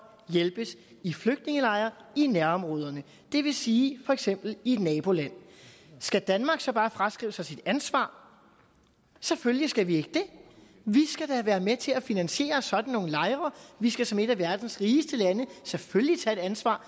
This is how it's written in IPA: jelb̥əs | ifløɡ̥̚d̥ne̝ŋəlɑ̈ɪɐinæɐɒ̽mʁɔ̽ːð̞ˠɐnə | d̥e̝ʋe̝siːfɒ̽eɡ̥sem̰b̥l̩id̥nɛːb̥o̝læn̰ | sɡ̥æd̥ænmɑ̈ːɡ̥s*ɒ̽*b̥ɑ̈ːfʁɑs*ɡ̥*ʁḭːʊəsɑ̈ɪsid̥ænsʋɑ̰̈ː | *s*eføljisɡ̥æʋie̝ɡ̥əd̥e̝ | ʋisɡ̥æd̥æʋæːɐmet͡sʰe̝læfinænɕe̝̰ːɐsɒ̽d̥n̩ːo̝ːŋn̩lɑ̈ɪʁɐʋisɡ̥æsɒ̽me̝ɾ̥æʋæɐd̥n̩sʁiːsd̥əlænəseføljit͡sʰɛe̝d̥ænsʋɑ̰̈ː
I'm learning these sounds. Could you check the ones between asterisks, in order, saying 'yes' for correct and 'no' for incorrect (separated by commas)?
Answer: yes, yes, yes